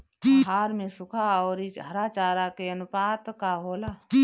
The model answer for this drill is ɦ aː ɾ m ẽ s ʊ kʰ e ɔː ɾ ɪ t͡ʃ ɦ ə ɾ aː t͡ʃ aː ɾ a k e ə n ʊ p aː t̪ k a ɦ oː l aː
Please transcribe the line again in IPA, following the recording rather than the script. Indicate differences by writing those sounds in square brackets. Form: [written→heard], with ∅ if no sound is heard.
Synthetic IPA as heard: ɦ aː ɾ m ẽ s ʊ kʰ [e→a] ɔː ɾ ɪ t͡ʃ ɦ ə ɾ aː t͡ʃ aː ɾ a k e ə n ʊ p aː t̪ k a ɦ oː l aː